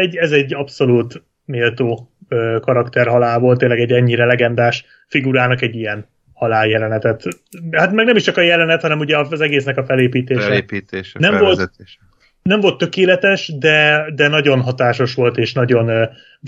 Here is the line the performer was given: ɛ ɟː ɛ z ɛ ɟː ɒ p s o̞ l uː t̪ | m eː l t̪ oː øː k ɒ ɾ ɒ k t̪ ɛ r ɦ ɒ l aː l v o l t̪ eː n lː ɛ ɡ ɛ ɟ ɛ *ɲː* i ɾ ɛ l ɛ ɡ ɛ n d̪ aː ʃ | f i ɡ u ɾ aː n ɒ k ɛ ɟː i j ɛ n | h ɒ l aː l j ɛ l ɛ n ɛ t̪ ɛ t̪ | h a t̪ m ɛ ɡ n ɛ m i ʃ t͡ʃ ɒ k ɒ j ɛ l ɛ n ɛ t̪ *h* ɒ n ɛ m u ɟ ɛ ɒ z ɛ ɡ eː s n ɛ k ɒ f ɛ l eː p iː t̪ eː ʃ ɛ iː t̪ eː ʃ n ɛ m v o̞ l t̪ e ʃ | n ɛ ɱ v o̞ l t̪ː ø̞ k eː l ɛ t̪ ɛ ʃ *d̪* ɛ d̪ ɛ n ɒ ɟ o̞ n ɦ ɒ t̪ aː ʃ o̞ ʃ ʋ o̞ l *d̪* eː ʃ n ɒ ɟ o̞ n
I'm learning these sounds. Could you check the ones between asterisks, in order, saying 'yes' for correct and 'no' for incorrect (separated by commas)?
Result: yes, yes, yes, no